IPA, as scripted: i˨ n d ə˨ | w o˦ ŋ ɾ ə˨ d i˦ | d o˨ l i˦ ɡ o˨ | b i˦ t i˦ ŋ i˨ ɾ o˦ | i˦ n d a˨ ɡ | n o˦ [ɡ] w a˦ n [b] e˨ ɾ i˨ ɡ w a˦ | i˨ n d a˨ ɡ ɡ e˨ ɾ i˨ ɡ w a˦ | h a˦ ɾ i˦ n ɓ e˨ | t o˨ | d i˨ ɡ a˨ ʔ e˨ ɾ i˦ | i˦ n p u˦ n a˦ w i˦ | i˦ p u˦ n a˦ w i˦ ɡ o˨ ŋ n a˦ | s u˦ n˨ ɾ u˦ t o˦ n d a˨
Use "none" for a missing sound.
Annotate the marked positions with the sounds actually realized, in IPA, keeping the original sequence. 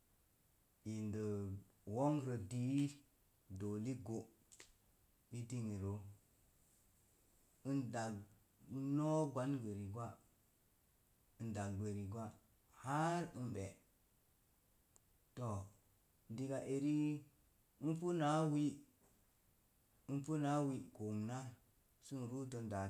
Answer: ɡ, ɡ

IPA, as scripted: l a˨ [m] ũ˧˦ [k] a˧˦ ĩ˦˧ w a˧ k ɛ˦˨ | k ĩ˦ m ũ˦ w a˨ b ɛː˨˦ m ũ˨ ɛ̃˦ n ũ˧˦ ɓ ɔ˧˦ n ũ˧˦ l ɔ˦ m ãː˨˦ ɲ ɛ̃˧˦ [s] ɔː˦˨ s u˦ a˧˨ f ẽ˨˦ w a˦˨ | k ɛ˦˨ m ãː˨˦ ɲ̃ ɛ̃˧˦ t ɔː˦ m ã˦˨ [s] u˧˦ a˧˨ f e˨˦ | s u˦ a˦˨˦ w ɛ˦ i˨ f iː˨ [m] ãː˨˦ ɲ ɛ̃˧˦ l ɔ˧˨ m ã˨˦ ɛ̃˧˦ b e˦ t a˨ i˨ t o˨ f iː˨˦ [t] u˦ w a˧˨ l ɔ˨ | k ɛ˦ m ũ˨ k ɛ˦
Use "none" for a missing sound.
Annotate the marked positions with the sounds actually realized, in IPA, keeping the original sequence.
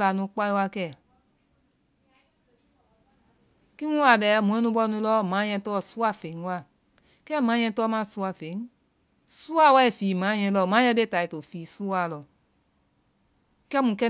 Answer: n, k͡p, t, s, m, s

